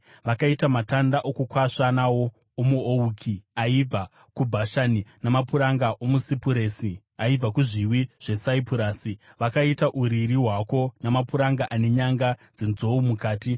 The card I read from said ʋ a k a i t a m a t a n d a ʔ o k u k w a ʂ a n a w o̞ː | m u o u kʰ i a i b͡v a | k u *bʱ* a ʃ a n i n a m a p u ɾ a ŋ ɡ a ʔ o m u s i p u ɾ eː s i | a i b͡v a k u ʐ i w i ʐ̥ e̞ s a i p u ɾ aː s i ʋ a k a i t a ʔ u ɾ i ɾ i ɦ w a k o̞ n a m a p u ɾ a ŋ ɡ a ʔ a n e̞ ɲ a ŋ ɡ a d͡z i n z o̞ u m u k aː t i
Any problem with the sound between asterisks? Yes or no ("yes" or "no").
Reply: no